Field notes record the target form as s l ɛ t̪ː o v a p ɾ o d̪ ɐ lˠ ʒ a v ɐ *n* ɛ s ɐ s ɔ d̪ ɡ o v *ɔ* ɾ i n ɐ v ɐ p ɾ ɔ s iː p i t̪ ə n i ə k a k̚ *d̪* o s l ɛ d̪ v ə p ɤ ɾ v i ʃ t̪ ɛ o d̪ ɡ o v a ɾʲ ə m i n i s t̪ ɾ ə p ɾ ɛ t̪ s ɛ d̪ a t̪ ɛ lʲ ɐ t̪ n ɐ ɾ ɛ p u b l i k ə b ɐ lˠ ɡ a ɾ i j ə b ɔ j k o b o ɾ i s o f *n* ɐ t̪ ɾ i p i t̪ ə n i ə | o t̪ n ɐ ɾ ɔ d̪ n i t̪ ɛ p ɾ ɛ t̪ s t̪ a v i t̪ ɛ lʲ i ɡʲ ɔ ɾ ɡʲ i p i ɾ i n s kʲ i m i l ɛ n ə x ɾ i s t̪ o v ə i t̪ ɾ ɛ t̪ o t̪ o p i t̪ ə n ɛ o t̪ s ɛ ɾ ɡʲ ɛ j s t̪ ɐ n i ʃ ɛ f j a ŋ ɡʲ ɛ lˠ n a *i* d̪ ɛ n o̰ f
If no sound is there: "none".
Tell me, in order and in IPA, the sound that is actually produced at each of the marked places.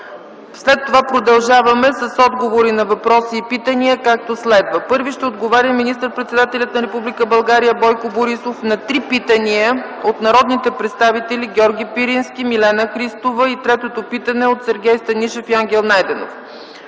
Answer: m, o, t̪, n, j

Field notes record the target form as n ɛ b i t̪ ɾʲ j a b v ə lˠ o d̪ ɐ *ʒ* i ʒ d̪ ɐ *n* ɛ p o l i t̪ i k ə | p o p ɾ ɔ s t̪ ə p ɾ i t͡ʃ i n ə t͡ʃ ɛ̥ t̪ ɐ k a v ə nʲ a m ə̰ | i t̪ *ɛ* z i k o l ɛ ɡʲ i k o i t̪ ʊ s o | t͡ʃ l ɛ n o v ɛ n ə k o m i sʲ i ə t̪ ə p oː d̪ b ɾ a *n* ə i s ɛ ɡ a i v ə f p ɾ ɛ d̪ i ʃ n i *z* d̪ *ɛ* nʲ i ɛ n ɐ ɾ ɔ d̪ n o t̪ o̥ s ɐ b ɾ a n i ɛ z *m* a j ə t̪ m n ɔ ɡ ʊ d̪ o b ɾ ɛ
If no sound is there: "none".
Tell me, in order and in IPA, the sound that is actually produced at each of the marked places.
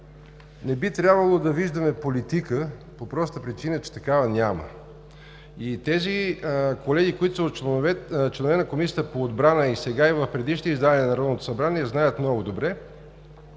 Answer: v, m, ɛ, n, z, a, n

